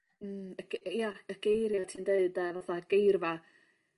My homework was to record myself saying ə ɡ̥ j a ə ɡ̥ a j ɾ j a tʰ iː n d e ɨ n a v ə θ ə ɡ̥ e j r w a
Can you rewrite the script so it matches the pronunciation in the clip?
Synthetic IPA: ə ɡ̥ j a ə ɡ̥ e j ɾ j a tʰ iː n d e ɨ d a v a θ a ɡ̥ e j r v a